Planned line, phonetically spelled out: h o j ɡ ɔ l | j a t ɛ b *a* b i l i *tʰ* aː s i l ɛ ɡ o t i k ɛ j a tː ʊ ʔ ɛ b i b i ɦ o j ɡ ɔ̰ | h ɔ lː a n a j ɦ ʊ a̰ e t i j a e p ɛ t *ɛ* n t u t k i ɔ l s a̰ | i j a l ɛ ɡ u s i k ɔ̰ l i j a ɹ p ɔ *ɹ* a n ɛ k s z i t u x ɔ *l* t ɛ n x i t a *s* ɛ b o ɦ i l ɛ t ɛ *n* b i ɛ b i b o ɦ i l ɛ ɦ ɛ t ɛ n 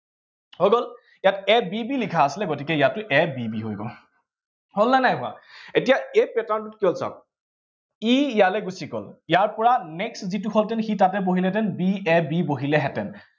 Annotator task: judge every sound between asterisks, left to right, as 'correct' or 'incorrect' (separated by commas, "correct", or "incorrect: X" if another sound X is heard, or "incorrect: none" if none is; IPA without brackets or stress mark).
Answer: incorrect: i, incorrect: kʰ, incorrect: a, correct, correct, incorrect: t, correct